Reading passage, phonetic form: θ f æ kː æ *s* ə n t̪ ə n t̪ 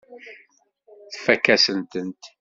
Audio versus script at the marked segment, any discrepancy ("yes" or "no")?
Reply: no